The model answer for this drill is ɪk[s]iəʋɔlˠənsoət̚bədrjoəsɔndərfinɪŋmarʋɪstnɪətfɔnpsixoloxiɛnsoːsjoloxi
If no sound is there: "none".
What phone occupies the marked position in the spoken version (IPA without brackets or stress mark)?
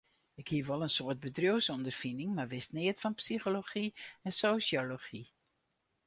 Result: h